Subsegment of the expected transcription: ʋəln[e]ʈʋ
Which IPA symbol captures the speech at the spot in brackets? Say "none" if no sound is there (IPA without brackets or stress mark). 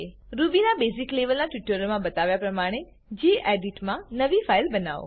a